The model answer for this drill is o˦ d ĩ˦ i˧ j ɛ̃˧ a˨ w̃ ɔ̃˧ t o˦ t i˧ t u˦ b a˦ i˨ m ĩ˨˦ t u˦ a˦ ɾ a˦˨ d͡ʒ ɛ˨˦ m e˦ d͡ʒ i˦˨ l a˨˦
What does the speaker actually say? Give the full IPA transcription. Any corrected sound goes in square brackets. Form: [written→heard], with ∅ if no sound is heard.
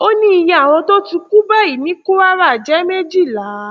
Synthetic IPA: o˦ [d→n] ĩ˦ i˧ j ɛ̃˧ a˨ w̃ ɔ̃˧ t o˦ t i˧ [t→k] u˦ b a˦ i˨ m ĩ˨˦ [t→k] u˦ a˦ ɾ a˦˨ d͡ʒ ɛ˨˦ m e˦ d͡ʒ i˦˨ l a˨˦